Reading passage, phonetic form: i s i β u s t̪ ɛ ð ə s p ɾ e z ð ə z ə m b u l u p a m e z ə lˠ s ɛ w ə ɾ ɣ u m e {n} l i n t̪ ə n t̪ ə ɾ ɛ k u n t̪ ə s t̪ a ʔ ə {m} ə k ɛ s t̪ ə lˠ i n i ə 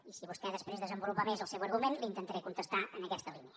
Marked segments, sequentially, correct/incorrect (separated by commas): correct, incorrect